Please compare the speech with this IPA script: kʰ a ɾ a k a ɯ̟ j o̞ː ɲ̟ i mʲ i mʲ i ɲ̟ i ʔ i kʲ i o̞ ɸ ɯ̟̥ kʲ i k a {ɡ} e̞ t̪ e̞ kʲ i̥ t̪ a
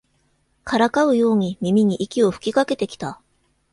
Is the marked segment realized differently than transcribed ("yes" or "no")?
yes